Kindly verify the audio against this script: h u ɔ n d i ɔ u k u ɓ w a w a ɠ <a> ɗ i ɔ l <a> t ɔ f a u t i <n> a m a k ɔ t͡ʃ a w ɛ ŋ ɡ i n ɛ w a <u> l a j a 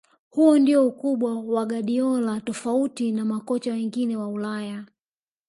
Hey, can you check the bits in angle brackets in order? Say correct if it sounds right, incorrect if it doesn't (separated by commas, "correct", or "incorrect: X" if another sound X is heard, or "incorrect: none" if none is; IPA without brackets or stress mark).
correct, correct, correct, correct